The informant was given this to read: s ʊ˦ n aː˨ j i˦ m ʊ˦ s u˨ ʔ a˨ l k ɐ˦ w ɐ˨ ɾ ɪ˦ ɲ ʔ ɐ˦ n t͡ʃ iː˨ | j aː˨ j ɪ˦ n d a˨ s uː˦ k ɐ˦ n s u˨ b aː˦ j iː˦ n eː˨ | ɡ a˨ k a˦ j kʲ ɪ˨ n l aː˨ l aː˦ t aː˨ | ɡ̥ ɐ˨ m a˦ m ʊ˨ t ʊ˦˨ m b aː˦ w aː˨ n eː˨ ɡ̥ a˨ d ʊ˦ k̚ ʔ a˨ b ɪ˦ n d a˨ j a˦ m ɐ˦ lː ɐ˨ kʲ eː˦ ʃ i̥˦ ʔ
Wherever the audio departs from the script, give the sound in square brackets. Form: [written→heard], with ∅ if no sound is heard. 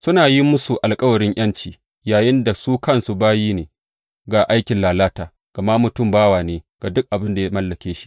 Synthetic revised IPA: s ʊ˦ n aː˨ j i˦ m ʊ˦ s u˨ ʔ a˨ l [k→kʼ] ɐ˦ w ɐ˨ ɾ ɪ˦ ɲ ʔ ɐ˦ n t͡ʃ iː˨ | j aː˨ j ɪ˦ n d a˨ s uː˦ k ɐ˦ n s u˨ b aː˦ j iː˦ n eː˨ | ɡ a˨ [k→ʔ] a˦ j kʲ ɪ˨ n l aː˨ l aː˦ t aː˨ | ɡ̥ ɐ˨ m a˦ m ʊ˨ t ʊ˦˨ m b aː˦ w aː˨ n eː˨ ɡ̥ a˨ d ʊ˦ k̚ ʔ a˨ b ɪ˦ n d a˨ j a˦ m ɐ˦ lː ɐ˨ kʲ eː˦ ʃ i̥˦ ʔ